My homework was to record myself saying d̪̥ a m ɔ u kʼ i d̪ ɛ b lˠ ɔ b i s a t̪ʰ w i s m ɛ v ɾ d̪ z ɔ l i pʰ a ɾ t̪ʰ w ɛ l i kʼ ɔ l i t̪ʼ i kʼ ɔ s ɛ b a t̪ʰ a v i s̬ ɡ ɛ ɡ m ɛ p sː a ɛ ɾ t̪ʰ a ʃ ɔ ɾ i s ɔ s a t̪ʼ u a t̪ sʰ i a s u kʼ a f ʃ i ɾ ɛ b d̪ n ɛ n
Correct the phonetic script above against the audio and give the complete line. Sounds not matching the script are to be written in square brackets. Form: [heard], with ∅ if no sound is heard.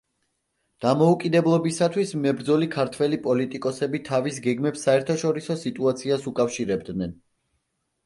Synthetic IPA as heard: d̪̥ a m ɔ u kʼ i d̪ ɛ b lˠ ɔ b i s a t̪ʰ w i s m ɛ [b] ɾ d̪ z ɔ l i [kʰ] a ɾ t̪ʰ w ɛ l i [pʼ] ɔ l i t̪ʼ i kʼ ɔ s ɛ b [i] t̪ʰ a v i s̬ ɡ ɛ ɡ m ɛ p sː a ɛ ɾ t̪ʰ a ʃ ɔ ɾ i s ɔ s [i] t̪ʼ u a t̪ sʰ i a s u kʼ a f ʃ i ɾ ɛ b d̪ n ɛ n